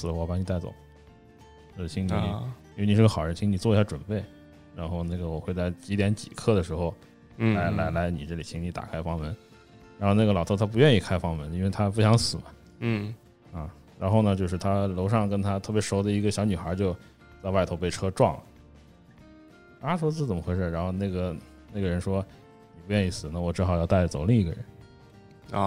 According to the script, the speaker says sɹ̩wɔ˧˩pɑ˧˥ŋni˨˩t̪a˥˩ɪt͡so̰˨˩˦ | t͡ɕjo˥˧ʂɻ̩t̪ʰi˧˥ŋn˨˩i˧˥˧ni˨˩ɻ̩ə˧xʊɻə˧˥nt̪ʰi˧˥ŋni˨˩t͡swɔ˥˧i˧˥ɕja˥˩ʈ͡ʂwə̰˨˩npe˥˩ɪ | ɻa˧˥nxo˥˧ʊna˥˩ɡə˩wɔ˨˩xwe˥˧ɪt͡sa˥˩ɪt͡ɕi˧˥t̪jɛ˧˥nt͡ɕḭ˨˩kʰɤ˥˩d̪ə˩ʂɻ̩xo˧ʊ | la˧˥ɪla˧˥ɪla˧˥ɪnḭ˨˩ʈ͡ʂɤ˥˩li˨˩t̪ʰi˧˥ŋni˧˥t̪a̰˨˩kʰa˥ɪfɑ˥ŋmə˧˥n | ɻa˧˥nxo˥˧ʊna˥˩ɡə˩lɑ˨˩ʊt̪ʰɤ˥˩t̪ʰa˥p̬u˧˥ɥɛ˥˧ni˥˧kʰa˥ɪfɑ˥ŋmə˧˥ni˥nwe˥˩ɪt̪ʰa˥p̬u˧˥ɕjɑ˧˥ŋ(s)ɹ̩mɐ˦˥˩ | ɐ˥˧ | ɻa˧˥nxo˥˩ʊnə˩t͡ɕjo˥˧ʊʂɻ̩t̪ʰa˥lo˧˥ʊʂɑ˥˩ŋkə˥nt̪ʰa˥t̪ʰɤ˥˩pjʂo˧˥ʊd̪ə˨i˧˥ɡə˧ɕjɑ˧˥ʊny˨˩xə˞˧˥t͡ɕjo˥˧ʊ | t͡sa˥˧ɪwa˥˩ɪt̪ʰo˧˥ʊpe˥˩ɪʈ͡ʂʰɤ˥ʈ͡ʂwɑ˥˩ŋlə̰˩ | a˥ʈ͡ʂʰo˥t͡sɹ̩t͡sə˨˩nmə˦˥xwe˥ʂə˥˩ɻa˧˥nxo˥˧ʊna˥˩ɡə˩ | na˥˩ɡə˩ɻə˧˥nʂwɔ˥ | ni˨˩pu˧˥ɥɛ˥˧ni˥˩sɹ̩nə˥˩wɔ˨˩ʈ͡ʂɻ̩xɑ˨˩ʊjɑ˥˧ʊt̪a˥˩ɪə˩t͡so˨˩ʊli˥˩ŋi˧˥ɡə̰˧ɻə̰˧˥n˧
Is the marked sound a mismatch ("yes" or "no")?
no